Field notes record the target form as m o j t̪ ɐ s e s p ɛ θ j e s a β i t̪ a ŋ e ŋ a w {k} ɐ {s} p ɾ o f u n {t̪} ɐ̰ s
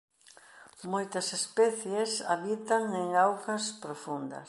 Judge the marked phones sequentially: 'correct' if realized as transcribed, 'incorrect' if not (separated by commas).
correct, correct, incorrect